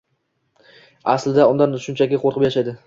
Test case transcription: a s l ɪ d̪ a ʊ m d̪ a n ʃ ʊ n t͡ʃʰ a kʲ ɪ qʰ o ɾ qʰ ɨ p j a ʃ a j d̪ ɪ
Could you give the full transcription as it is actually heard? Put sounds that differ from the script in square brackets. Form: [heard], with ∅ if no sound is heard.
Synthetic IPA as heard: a s l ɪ d̪ a ʊ [n] d̪ a n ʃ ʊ n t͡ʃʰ a kʲ ɪ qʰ o ɾ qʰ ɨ p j a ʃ a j d̪ ɪ